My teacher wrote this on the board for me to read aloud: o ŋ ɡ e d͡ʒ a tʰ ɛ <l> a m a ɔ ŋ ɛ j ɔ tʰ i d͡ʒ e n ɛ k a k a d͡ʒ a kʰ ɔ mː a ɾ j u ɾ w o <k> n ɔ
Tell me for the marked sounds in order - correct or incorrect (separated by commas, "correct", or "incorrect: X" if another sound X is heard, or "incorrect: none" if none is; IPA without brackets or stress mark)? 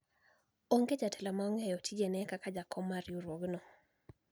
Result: correct, incorrect: ɡ